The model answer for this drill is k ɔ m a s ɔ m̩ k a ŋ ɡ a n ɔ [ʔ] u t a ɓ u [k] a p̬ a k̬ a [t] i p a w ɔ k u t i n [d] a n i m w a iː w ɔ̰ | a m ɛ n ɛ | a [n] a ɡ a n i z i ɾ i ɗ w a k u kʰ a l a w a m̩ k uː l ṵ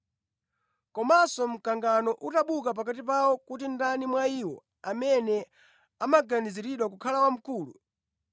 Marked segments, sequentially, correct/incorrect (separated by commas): correct, correct, correct, correct, incorrect